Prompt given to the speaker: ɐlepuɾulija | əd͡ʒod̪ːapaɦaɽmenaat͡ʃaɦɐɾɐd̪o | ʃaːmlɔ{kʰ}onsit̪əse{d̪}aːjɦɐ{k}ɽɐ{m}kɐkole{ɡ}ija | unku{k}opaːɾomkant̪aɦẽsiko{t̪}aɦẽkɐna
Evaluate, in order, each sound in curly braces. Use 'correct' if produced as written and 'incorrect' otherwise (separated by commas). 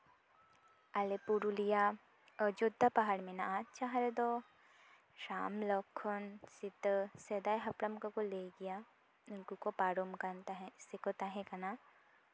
correct, correct, incorrect, correct, correct, correct, correct